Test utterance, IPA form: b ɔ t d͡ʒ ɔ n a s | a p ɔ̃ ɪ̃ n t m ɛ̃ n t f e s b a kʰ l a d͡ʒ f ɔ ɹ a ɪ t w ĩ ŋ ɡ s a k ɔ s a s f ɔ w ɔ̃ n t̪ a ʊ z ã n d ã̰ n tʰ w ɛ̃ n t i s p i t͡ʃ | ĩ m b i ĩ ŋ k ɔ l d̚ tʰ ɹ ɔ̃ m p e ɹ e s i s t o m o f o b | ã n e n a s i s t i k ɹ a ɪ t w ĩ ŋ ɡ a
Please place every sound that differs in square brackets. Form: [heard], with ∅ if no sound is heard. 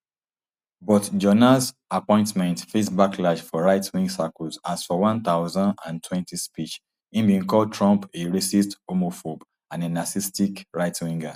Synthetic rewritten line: b ɔ t d͡ʒ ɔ n a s | a p ɔ̃ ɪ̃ n t m ɛ̃ n t f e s b a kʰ l a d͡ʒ f ɔ ɹ a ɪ t w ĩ ŋ ɡ s a k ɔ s a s f ɔ w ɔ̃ n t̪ a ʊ z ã n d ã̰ n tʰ w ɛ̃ n t i s p i t͡ʃ | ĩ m b i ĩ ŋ k ɔ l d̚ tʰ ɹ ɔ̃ m p e ɹ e s i s t o m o f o b | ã n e n a s i s t i k ɹ a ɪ t w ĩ ŋ ɡ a